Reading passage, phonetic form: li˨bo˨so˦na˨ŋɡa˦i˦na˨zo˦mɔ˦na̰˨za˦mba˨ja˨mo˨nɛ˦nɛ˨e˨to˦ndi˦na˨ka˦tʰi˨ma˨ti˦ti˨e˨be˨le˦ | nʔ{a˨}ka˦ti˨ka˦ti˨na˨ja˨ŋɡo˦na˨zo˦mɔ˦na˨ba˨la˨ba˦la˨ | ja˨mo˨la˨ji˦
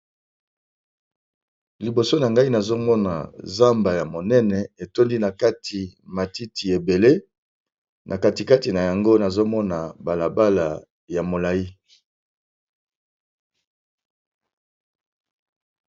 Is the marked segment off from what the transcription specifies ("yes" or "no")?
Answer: no